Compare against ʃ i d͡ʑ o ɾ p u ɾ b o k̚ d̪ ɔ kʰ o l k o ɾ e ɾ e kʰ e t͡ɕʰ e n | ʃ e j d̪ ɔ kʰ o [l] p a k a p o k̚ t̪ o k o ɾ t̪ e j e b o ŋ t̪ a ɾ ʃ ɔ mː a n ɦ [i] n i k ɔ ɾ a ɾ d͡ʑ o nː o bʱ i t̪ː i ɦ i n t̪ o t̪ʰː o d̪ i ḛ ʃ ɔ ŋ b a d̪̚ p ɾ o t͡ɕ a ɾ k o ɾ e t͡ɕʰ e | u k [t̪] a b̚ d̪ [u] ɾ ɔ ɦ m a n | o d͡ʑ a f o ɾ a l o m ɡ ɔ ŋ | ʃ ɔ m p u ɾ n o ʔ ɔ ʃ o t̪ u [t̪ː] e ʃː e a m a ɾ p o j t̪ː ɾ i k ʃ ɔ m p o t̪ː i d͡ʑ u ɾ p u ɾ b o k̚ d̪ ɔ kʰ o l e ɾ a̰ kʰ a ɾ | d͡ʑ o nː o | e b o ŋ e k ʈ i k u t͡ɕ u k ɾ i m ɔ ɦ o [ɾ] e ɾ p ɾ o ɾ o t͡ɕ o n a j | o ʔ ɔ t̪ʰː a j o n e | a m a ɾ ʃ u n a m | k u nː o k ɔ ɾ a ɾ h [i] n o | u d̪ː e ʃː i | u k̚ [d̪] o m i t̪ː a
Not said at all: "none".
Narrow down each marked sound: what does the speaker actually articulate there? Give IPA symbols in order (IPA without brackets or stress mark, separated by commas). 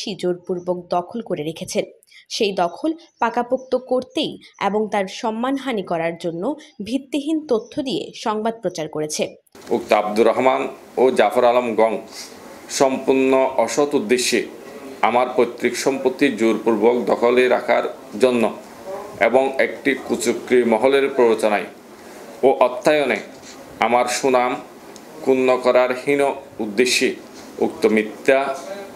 l, a, t̪, u, d̪ː, l, i, t̪